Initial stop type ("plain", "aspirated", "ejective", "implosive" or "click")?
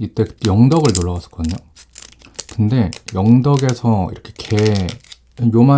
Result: plain